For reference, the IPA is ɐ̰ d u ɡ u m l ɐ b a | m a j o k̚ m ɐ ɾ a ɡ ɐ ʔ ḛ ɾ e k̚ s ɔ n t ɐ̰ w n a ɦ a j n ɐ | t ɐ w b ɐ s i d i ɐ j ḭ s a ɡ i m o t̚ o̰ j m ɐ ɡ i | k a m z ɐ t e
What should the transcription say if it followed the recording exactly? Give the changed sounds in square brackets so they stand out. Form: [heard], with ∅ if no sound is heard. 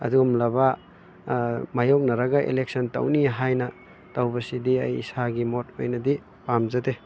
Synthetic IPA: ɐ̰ d u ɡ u m l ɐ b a | m a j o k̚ [n] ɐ ɾ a ɡ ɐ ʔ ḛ [l] e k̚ s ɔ n t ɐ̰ w n [i] ɦ a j n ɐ | t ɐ w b ɐ s i d i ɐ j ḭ s a ɡ i m o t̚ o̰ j [n] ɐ [d] i | [p] a m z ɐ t e